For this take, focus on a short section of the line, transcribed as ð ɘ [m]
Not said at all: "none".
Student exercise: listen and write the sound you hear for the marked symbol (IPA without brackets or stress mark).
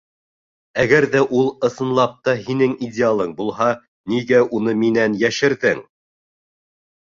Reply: ŋ